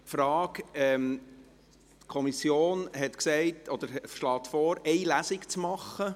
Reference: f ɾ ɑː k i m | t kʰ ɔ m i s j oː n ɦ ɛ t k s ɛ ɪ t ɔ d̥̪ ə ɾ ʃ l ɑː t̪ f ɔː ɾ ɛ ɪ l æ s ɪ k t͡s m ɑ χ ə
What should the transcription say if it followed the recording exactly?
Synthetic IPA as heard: f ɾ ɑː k ɛ m | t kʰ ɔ m i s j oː n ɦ ɛ t k s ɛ ɪ t ɔ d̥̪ ə ɾ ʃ l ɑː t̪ f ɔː ɾ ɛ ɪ l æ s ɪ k t͡s m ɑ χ ə